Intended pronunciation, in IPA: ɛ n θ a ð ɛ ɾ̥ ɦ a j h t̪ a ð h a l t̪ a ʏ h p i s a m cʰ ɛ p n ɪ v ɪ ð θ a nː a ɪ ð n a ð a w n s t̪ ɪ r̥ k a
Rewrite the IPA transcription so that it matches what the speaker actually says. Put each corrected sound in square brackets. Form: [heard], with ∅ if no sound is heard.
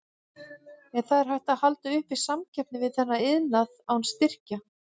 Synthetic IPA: ɛ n θ a ð ɛ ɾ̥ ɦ a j h t̪ a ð h a l t̪ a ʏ h p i s a m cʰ ɛ p n ɪ v ɪ ð θ [ɛ] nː a ɪ ð n a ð a w n s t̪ ɪ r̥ [c] a